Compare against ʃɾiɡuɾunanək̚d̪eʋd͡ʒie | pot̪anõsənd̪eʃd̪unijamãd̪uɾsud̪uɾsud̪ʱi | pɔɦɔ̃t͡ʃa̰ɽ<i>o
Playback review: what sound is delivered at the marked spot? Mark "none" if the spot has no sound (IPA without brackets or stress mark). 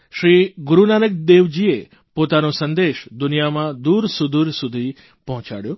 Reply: j